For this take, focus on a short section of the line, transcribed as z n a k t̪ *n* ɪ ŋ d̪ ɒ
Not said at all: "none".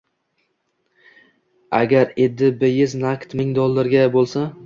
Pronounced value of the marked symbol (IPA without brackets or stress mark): m